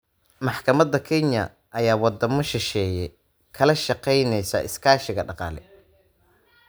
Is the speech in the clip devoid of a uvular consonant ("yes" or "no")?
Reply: no